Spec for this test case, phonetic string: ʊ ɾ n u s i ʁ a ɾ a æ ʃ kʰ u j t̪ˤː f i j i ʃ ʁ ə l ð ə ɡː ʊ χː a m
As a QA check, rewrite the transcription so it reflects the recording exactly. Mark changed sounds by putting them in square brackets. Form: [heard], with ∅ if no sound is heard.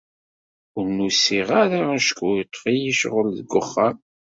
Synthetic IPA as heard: ʊ ɾ n u s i ʁ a ɾ a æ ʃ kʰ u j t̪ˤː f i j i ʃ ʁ ə l ð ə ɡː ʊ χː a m